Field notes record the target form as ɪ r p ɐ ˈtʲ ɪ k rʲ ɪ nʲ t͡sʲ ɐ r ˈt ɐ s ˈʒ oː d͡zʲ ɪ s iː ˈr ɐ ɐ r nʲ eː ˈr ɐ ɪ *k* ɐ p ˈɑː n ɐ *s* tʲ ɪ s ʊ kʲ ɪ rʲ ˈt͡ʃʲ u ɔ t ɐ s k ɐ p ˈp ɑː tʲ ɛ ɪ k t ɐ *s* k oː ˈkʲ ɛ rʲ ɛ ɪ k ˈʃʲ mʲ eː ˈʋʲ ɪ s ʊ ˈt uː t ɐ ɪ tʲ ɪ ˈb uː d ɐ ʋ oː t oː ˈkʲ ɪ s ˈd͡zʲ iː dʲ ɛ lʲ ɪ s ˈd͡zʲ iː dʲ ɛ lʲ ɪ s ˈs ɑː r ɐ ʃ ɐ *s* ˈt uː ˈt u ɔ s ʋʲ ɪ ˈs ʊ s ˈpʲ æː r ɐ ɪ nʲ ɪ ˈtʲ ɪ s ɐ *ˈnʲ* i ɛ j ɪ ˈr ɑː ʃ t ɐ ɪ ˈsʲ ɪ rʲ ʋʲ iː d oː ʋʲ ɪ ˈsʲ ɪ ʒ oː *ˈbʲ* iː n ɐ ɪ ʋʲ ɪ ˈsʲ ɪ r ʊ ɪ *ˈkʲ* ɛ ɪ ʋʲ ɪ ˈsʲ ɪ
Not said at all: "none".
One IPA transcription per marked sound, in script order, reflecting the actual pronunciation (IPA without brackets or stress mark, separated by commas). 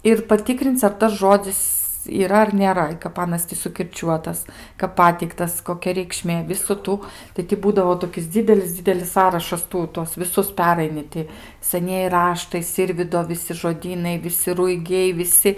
k, s, s, s, nʲ, dʲ, ɡʲ